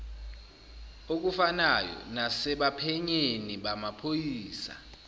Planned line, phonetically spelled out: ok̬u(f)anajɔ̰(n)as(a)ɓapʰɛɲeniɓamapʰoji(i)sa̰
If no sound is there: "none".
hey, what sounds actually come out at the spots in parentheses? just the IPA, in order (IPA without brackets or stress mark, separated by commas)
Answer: f, n, ɛ, iː